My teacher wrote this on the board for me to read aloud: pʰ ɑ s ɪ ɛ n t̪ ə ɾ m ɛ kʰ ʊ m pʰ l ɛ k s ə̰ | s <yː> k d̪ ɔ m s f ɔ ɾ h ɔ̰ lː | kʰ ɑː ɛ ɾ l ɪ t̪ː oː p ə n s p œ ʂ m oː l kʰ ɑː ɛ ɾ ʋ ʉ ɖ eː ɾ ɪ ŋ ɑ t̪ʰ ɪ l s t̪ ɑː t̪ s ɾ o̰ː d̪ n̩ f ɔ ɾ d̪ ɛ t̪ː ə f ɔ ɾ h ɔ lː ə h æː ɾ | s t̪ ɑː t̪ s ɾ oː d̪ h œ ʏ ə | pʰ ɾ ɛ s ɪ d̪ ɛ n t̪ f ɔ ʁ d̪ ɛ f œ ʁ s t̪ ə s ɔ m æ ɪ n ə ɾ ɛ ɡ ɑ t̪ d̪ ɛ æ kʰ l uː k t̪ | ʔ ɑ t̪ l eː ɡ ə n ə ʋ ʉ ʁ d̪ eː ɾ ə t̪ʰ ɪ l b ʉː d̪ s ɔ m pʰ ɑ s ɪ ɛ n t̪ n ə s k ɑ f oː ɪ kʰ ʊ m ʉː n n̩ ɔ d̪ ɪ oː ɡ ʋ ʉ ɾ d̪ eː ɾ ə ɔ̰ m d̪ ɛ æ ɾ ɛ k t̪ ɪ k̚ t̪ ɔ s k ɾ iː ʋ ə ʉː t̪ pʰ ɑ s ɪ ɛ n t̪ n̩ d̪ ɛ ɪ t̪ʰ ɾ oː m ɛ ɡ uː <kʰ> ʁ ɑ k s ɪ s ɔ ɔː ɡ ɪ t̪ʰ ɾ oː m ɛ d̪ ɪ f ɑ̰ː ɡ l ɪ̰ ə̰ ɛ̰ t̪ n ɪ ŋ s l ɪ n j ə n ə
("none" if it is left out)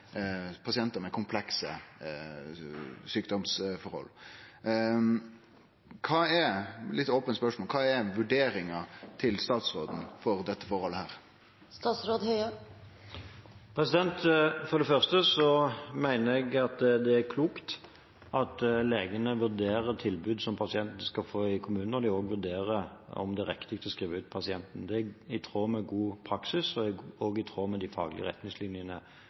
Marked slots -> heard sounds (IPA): yː, pʰ

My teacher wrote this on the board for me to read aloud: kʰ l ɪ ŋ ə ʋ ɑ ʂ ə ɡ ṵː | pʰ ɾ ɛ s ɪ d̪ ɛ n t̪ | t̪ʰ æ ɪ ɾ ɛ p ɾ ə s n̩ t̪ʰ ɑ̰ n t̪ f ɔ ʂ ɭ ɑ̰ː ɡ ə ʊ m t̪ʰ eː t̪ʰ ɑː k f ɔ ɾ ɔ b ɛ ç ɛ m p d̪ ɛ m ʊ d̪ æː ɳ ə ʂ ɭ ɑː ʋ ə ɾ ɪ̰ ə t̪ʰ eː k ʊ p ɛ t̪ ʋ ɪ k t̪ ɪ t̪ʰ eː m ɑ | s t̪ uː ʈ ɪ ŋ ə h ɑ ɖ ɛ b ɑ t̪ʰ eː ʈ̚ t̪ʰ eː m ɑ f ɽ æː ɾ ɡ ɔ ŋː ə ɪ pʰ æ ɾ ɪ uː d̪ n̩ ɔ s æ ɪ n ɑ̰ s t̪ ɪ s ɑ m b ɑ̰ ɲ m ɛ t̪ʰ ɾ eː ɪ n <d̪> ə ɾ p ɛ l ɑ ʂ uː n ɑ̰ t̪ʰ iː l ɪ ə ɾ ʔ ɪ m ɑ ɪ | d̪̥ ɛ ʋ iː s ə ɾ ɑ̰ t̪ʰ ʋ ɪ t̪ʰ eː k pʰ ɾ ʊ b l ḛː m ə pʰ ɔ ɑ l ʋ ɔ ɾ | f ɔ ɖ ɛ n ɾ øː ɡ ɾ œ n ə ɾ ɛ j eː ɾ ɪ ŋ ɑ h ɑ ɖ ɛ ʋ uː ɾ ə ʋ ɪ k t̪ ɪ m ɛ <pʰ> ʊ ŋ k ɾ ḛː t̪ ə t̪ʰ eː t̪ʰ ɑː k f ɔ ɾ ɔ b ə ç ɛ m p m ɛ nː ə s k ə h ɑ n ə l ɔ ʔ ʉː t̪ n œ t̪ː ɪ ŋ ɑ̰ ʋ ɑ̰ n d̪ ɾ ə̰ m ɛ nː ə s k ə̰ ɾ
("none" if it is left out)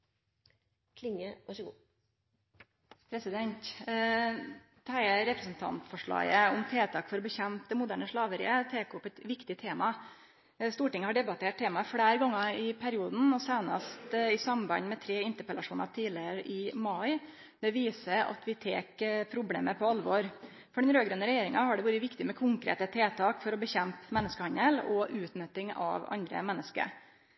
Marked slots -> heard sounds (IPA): t̪, kʰ

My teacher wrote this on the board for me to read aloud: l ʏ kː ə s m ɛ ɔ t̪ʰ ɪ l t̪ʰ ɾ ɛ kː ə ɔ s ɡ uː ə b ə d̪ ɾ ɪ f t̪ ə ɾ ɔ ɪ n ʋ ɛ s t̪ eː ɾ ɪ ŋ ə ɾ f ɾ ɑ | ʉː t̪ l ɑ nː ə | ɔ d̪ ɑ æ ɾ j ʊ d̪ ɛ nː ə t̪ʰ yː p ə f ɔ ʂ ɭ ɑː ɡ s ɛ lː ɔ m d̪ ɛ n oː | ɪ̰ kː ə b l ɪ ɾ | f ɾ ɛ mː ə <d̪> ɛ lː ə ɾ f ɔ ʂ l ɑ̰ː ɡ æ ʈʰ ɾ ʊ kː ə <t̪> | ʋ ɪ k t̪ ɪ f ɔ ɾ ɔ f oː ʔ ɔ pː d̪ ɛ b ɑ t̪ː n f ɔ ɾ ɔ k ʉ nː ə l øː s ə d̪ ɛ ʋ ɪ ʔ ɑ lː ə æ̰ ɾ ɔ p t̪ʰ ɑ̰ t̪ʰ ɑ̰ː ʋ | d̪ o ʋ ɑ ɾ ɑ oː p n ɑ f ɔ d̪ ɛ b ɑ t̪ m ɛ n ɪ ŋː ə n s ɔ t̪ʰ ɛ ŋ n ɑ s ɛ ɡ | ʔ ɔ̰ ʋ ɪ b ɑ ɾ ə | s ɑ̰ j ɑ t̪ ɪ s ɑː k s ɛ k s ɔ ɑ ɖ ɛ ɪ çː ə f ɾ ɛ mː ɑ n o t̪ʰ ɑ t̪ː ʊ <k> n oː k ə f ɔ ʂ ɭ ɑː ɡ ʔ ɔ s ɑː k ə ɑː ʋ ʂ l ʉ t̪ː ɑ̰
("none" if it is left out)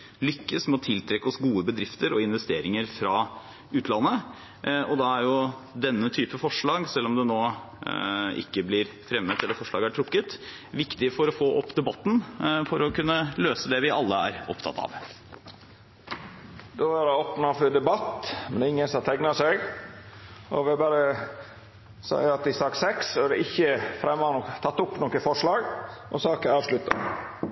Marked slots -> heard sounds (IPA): t̪, t̪, p

